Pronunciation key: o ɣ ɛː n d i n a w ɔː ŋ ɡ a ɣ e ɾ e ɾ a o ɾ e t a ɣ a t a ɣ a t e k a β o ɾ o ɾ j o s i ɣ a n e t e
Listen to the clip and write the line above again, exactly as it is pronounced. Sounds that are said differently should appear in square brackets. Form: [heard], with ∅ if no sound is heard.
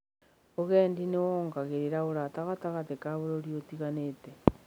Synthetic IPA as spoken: o ɣ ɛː n d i n [e] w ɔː ŋ ɡ a ɣ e ɾ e ɾ a o ɾ [a] t a ɣ a t a ɣ a t e k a β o ɾ o ɾ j o [t] i ɣ a n e t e